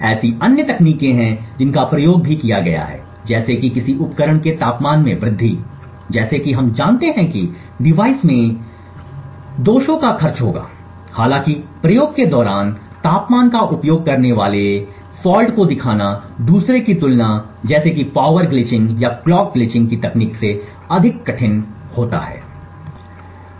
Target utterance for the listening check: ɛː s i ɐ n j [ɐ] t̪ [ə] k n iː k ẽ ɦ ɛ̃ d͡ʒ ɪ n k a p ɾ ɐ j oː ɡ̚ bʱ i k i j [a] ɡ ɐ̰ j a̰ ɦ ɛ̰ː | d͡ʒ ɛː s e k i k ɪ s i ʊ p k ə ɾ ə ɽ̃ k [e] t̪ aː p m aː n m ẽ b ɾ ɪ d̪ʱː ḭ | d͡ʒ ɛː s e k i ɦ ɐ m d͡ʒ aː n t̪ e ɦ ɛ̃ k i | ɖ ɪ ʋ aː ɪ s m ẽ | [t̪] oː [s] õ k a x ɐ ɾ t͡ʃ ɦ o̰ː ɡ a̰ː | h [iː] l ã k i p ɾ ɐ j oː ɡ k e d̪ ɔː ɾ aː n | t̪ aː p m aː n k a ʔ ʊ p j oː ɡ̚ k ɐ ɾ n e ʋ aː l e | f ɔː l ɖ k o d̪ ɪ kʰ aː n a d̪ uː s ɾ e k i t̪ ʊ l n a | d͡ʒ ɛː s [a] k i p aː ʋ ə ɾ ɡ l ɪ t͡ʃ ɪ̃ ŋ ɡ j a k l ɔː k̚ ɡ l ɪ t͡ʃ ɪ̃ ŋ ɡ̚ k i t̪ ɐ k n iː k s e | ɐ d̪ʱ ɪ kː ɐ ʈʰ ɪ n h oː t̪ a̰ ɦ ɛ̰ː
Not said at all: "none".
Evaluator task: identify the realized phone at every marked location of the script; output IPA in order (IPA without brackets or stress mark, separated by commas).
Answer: ə, ɐ, a, e, d̪, ʃ, aː, e